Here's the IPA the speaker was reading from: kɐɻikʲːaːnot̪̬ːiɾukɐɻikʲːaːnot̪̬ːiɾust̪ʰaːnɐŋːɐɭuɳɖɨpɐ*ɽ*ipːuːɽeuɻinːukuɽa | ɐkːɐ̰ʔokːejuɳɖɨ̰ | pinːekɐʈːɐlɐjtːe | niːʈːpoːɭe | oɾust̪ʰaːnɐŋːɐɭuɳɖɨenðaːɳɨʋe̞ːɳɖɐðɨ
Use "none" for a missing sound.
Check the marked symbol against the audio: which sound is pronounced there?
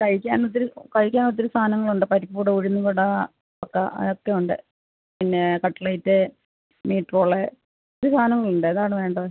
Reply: ɾ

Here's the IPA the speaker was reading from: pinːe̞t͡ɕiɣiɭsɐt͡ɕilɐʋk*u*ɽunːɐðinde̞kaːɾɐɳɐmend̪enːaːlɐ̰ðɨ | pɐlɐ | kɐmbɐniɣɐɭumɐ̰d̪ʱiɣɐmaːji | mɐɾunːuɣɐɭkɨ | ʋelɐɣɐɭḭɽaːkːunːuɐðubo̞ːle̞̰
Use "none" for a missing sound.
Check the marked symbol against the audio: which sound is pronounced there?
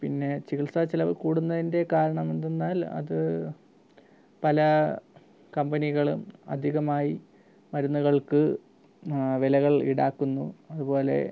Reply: uː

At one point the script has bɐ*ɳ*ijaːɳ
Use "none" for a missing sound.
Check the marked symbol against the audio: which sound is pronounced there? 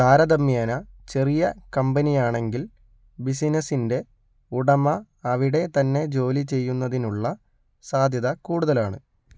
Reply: n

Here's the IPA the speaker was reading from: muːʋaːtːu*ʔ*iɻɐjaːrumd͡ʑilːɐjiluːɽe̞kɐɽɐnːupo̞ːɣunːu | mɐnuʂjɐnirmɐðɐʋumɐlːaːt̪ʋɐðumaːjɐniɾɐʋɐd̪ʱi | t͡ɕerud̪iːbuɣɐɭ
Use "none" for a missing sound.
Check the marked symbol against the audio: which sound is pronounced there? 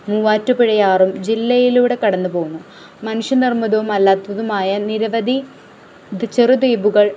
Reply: p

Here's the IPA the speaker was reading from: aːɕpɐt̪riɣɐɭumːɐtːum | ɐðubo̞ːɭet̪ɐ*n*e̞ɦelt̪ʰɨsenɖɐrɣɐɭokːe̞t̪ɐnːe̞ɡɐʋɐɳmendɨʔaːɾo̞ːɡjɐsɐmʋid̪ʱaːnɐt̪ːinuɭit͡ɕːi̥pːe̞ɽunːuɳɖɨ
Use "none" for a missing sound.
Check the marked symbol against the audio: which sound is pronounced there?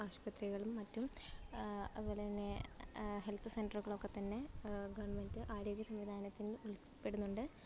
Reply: nː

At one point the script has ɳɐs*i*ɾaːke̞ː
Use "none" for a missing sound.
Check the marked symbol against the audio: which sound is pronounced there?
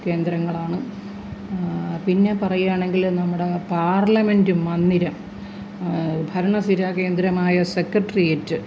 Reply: i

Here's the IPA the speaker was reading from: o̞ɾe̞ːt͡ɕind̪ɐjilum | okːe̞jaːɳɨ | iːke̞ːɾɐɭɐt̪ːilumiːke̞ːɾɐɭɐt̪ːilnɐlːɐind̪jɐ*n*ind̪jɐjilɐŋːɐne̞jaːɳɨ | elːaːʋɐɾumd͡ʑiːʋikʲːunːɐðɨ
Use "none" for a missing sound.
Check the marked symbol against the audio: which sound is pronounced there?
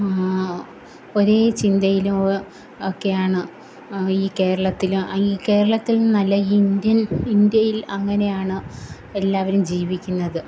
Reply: n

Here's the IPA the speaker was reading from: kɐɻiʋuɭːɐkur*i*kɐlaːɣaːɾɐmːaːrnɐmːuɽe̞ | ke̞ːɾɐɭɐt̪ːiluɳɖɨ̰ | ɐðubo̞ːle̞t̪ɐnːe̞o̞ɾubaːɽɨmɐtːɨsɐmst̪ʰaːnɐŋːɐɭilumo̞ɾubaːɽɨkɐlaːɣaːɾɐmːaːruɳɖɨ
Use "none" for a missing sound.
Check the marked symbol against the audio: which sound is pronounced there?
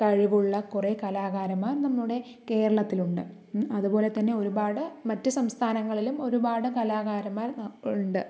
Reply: e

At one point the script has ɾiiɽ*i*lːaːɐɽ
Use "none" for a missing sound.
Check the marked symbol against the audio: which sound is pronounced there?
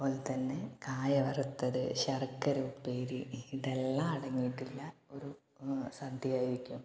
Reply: e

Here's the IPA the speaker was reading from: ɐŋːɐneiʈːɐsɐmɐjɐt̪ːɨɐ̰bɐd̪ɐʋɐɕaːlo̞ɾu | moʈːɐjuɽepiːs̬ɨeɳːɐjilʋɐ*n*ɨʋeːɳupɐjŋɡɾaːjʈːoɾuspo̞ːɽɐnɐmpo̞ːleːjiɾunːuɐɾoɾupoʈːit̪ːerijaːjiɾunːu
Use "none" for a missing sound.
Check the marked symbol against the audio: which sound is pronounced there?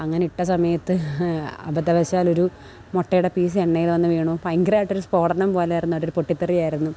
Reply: nː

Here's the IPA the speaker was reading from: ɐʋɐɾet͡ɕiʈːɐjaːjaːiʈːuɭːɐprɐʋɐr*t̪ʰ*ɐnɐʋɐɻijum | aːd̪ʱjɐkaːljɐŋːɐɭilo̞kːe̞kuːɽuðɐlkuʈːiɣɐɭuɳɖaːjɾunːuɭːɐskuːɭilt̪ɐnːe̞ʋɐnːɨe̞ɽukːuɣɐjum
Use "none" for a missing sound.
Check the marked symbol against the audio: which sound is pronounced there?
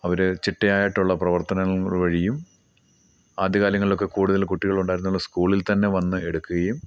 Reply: t̪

